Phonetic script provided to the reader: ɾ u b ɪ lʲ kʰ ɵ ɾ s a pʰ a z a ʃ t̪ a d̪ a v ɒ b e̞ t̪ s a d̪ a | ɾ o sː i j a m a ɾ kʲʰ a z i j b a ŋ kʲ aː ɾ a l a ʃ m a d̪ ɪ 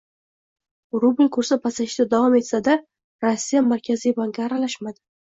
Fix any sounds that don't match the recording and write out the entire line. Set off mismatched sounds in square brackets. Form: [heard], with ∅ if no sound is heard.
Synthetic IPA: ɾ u b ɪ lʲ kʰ ɵ ɾ s a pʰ a [s] a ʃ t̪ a d̪ a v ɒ [m] e̞ t̪ s a d̪ a | ɾ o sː i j a m a ɾ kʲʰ a z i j b a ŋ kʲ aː ɾ a l a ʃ m a d̪ ɪ